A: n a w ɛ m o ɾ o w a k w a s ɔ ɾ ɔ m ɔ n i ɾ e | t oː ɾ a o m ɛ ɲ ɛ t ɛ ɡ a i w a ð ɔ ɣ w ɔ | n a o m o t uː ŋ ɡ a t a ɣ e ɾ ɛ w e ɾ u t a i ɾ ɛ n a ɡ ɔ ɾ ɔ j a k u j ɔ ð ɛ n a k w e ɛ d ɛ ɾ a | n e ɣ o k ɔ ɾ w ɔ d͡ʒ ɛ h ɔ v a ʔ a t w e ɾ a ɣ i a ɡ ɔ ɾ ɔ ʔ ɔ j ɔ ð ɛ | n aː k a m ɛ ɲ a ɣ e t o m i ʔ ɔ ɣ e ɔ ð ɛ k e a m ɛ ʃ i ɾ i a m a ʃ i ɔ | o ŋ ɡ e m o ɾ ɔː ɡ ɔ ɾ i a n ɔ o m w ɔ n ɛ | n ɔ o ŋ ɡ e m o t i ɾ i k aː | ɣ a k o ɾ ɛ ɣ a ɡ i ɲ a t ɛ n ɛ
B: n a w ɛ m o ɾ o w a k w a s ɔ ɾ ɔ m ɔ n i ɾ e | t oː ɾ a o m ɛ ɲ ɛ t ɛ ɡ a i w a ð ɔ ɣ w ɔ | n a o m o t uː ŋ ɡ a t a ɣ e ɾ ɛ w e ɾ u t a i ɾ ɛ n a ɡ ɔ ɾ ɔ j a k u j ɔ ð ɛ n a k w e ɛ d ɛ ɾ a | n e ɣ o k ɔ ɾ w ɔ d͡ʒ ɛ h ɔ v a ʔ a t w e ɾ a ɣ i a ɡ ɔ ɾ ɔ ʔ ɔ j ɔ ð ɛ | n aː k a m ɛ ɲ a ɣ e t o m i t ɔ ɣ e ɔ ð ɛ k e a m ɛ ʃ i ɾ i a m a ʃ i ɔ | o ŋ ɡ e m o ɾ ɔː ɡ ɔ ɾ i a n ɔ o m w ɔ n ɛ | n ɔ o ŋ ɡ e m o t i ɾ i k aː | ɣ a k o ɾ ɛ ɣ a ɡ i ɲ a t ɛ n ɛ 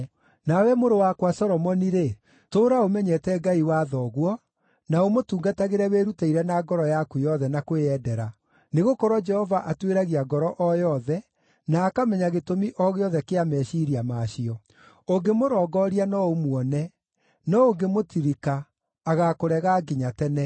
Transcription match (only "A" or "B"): A